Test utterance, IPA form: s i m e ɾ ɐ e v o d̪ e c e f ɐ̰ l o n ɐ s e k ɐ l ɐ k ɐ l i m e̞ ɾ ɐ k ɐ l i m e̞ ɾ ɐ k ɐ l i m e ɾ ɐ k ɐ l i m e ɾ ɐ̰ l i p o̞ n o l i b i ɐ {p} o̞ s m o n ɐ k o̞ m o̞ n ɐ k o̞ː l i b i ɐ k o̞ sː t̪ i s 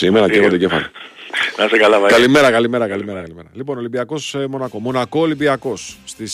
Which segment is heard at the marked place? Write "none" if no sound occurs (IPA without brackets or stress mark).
k